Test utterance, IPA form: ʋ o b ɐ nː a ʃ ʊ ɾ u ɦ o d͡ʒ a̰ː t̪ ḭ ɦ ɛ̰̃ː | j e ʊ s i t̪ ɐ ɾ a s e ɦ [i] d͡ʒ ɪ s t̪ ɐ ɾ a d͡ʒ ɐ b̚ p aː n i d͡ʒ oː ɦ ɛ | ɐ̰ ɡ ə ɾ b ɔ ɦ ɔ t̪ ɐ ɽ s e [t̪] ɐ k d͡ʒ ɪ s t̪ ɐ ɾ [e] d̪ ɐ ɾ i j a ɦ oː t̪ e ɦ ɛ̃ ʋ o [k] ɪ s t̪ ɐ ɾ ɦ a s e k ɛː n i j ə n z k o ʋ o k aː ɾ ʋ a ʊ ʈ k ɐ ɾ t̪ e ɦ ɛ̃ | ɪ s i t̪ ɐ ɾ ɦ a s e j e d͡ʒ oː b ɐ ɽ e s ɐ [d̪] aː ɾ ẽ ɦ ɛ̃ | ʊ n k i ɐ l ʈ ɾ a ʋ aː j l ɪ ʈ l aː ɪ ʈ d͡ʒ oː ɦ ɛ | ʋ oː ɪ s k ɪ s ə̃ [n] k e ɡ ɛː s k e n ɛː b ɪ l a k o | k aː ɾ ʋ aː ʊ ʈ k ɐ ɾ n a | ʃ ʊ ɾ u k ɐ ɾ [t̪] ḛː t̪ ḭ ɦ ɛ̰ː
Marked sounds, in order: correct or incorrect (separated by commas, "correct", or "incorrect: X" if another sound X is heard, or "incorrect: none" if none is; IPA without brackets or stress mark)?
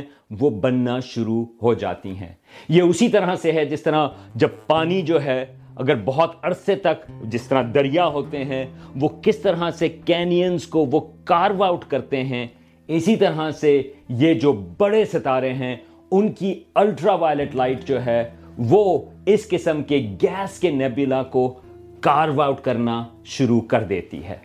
incorrect: ɛ, correct, incorrect: a, correct, incorrect: t̪, incorrect: m, incorrect: d̪